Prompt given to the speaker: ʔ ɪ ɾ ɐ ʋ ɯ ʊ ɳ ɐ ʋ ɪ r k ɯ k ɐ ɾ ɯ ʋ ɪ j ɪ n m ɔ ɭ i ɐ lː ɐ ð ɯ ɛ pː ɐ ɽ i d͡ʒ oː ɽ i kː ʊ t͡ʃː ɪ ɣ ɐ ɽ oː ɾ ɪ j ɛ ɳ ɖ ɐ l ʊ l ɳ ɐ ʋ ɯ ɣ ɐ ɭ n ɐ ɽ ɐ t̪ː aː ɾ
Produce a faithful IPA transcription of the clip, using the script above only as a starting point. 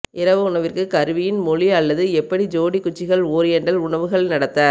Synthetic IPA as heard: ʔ ɪ ɾ ɐ ʋ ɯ ʊ ɳ ɐ ʋ ɪ r k ɯ k ɐ ɾ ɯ ʋ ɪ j ɪ n m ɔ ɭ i ɐ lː ɐ ð ɯ ɛ pː ɐ ɽ i d͡ʒ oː ɽ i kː ʊ t͡ʃː ɪ ɣ ɐ ɭ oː ɾ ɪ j ɛ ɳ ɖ ɐ l ʊ ɳ ɐ ʋ ɯ ɣ ɐ ɭ n ɐ ɽ ɐ t̪ː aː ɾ